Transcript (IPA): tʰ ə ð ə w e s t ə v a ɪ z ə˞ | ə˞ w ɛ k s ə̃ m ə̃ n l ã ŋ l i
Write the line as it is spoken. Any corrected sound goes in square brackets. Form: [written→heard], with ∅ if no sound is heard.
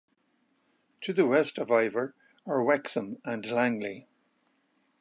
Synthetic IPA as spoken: tʰ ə ð ə w [e→ɛ] s t ə v a ɪ [z→v] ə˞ | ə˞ w ɛ k s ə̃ m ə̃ n l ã ŋ l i